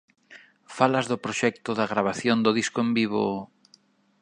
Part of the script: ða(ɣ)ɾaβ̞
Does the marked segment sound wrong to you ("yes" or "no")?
no